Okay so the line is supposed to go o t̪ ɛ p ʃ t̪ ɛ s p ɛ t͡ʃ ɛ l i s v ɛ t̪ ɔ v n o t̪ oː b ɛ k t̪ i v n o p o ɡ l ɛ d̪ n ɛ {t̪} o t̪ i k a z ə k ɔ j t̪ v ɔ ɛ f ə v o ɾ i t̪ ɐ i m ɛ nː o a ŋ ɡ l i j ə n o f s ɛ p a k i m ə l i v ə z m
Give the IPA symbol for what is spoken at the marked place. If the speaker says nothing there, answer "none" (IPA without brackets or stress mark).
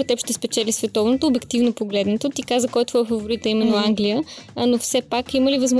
t̪